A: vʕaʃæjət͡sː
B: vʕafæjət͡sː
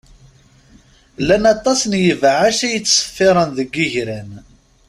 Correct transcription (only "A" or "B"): A